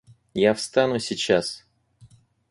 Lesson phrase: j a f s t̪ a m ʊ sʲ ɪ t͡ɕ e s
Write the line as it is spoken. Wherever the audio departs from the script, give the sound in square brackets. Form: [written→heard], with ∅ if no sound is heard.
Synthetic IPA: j a f s t̪ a [m→n] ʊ sʲ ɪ t͡ɕ [e→a] s